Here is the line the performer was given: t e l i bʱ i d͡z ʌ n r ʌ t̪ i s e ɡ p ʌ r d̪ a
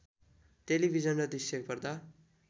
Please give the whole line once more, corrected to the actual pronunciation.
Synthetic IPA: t e l i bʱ i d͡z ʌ n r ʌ d̪ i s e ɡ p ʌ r d̪ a